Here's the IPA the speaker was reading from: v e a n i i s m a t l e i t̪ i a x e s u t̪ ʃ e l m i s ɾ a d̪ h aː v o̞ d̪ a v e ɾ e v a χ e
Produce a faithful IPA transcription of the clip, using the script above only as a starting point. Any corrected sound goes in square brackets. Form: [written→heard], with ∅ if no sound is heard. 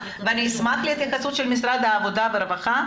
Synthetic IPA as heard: v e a n i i s m a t l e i t̪ [i→j] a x [e→a] s u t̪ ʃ e l m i s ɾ a d̪ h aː v o̞ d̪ a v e ɾ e v a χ [e→a]